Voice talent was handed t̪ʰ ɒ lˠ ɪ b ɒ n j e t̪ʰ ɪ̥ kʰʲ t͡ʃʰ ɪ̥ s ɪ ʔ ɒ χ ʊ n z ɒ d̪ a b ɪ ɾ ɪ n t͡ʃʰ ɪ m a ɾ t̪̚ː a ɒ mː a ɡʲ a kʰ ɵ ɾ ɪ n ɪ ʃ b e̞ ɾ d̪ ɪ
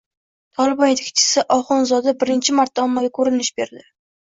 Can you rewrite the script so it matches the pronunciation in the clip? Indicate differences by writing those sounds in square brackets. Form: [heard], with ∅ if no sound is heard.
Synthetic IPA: t̪ʰ ɒ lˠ ɪ b ɒ n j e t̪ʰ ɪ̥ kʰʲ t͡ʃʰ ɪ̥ s ɪ ʔ ɒ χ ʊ n z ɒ d̪ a b ɪ ɾ ɪ n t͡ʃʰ ɪ m a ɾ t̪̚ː a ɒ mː a ɡʲ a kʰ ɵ ɾ ɪ n ɪ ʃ b e̞ ɾ d̪ ɪ